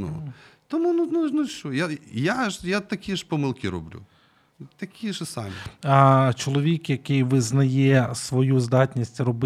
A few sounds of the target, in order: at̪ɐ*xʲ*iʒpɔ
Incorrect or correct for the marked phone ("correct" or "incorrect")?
incorrect